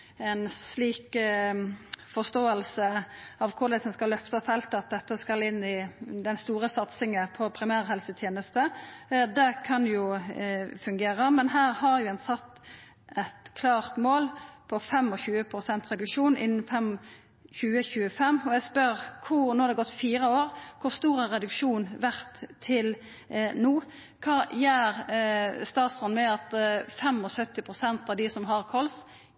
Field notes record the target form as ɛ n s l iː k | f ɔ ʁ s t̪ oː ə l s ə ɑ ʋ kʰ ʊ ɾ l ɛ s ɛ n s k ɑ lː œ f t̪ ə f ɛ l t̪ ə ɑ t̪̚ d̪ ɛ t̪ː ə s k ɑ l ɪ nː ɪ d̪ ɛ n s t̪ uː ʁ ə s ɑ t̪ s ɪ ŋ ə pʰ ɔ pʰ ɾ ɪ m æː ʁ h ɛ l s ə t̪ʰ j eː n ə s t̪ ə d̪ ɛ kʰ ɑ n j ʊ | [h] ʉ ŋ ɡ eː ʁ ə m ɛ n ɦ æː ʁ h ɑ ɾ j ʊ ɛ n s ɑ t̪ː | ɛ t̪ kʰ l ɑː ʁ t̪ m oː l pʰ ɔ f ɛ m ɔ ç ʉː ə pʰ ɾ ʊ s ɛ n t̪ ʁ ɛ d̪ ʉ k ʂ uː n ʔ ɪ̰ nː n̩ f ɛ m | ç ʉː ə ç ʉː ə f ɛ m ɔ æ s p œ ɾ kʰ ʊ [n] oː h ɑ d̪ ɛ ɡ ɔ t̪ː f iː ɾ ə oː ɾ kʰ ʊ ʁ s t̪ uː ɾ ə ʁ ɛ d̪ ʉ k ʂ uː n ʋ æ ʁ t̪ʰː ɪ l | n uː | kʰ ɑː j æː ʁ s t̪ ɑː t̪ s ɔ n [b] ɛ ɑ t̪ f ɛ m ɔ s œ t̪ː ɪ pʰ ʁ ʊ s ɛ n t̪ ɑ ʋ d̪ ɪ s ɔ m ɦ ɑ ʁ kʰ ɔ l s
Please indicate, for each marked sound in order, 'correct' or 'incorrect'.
incorrect: f, correct, incorrect: m

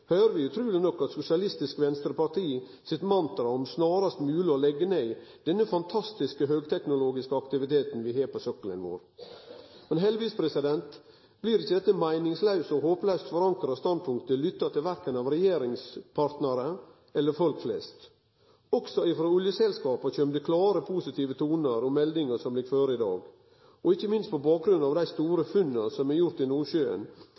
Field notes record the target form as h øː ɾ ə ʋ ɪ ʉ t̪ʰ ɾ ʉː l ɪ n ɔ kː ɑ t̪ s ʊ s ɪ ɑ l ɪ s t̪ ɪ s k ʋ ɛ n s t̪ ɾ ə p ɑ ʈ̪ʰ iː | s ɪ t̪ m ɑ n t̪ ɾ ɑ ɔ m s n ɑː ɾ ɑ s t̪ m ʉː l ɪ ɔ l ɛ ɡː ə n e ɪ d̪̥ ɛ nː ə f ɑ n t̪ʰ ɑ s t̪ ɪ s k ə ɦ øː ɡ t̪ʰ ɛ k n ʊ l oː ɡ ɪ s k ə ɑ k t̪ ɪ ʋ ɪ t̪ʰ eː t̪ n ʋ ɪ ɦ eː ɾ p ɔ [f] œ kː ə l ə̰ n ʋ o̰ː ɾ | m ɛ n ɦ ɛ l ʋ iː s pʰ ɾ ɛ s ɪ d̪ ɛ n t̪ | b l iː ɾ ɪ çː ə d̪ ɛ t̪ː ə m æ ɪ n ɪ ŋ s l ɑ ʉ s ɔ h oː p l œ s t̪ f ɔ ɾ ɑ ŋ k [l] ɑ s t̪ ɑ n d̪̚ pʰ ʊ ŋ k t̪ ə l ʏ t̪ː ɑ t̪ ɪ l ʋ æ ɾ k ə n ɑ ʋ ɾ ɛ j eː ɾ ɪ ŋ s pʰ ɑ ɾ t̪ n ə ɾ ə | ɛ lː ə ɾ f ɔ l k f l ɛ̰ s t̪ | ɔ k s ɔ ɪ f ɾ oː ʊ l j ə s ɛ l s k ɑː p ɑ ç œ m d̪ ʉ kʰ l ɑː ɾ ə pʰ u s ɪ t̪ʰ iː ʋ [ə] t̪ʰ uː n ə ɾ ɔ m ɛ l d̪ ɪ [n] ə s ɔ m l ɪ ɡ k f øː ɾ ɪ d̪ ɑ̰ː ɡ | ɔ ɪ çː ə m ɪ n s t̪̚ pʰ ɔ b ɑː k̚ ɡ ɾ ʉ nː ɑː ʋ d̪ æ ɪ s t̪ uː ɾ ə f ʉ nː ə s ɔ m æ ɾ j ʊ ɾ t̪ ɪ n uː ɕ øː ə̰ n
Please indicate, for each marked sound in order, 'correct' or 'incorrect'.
incorrect: s, incorrect: ɾ, correct, incorrect: ŋ

